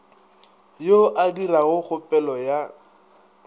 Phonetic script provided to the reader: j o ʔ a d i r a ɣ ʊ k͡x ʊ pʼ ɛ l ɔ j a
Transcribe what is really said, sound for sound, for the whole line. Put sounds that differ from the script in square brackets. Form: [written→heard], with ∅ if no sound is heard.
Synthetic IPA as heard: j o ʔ a d i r a ɣ ʊ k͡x ʊ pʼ ɛ l ɔ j a